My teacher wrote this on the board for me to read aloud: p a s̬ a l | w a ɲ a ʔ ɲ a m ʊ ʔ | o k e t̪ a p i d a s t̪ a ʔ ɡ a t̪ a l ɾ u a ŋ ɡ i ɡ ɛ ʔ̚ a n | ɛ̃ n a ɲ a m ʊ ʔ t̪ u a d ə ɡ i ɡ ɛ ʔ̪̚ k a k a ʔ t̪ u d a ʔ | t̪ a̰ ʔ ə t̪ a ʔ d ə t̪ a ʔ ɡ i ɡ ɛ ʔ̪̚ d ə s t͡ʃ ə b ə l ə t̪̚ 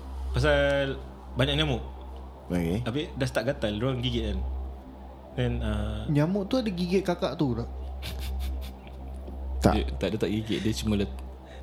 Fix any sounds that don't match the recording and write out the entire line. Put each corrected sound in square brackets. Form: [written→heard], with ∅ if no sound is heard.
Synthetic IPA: p a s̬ a l | [w→b] a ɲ a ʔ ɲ a m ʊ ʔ | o k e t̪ a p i d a s t̪ a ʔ ɡ a t̪ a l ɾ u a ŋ ɡ i ɡ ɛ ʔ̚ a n | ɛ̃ n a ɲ a m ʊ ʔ t̪ u a d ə ɡ i ɡ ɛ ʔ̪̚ k a k a ʔ t̪ u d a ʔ | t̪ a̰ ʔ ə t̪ a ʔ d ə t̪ a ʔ ɡ i ɡ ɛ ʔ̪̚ d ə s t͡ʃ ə [b→m] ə l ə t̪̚